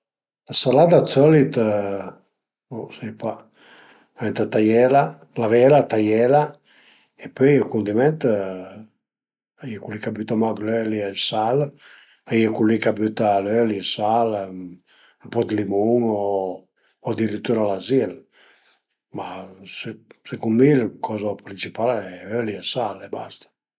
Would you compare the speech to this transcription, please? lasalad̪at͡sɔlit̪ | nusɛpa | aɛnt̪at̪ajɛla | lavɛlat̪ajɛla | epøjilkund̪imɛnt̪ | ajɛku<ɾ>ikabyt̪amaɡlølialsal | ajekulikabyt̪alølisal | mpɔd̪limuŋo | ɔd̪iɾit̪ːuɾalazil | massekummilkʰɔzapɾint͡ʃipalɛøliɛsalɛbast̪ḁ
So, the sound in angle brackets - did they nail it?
no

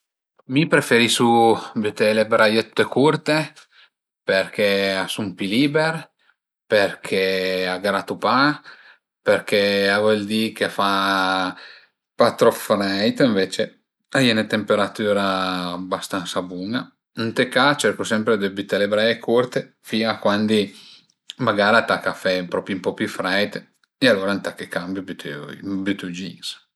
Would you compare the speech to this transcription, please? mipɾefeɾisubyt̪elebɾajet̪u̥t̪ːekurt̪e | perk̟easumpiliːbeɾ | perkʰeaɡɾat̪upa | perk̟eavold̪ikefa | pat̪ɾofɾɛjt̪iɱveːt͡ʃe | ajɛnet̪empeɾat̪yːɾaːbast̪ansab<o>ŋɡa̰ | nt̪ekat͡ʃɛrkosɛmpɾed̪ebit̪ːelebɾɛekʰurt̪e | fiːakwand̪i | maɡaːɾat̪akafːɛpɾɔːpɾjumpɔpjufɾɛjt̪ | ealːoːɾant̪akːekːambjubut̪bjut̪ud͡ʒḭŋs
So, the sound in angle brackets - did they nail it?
no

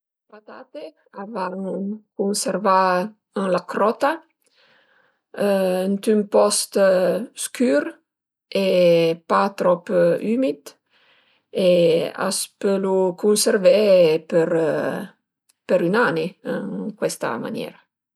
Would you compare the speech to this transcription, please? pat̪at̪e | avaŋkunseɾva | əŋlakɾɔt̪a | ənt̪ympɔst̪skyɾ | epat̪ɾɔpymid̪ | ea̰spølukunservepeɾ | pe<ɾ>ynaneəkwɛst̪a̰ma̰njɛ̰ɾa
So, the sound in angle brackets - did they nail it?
yes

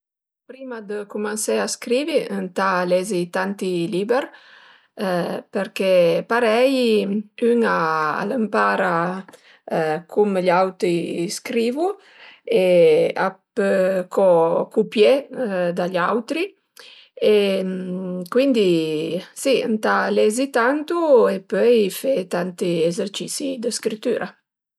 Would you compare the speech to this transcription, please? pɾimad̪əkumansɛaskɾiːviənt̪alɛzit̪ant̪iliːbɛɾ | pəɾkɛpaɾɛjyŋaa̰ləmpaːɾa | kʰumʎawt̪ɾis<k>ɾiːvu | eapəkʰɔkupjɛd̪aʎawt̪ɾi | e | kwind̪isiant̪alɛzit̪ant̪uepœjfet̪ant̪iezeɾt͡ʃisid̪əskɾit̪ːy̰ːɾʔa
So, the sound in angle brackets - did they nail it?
yes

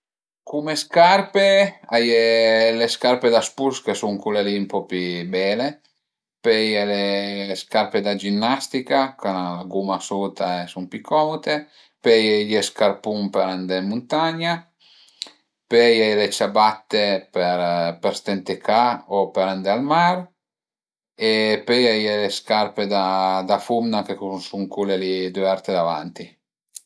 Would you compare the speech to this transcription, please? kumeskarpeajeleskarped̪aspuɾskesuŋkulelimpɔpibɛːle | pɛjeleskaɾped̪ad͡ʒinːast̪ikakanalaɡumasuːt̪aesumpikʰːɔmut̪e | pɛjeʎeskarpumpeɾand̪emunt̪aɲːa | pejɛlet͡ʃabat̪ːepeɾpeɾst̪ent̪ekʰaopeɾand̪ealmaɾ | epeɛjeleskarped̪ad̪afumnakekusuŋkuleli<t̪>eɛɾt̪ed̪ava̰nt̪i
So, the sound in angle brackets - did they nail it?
no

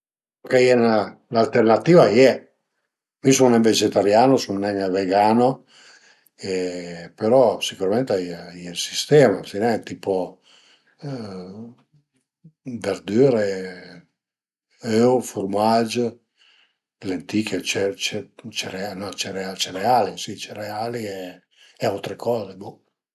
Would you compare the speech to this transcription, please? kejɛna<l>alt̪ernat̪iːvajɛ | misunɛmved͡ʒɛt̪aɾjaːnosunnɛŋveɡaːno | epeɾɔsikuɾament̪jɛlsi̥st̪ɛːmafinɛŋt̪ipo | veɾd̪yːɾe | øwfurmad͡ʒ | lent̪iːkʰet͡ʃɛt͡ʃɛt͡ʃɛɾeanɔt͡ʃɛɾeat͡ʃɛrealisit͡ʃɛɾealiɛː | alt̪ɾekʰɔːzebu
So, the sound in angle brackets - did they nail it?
yes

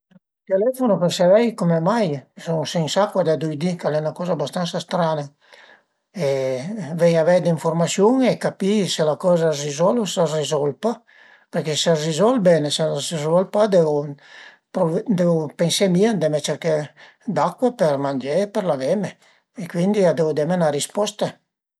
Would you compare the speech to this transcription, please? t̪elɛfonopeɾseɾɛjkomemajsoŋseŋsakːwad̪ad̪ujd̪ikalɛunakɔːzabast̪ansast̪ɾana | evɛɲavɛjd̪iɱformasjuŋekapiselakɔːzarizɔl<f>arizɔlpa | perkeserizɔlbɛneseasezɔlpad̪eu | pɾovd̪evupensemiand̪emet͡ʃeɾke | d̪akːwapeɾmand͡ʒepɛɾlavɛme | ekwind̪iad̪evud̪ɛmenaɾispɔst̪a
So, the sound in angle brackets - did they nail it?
no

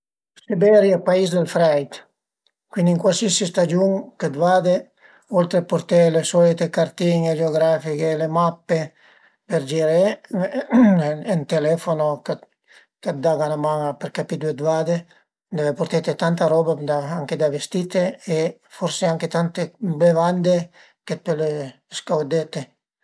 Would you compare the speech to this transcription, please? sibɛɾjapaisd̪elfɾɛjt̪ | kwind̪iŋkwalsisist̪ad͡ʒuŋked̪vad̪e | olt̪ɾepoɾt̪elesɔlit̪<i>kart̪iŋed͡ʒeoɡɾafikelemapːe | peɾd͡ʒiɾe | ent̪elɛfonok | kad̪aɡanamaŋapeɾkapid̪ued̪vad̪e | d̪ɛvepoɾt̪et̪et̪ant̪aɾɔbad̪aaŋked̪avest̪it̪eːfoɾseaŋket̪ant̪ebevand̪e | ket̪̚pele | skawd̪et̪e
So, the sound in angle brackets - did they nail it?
no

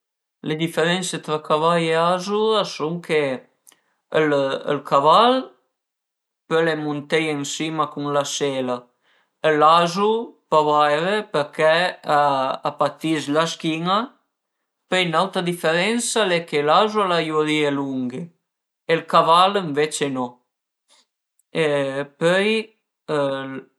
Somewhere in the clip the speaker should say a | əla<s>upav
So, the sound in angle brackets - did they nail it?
no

